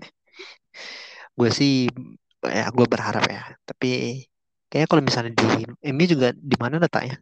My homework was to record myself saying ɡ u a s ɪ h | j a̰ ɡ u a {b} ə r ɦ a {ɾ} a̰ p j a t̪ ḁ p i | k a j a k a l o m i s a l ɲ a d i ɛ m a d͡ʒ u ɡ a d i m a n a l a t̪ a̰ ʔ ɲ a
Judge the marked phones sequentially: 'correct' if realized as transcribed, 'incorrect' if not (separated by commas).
correct, correct